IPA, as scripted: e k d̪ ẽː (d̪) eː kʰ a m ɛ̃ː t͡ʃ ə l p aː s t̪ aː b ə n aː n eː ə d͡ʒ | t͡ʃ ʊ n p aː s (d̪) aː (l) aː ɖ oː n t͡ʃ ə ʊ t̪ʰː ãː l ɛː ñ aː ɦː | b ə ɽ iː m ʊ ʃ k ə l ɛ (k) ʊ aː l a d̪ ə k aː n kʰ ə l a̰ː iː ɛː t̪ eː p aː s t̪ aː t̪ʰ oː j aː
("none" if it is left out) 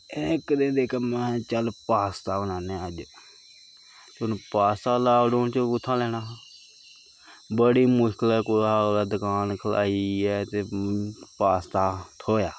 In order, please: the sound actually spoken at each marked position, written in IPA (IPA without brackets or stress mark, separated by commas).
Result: d̪, t̪, l, k